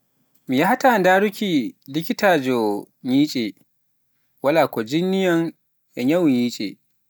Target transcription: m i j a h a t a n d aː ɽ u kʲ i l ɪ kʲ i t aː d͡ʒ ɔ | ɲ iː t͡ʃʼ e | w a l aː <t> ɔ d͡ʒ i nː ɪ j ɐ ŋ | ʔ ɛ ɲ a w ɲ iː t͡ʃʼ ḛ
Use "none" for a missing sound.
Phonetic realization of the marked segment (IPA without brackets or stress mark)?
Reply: k